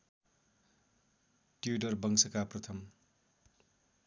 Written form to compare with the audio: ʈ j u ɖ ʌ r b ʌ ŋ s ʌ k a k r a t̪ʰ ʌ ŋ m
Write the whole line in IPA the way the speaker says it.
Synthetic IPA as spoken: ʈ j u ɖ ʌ r b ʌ ŋ s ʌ k a p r ʌ t̪ʰ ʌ m